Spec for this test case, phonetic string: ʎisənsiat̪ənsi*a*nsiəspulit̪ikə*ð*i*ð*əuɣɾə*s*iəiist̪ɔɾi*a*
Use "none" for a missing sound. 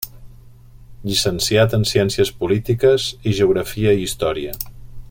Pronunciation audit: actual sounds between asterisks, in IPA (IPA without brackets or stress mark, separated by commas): ɛ, z, ʒ, f, ə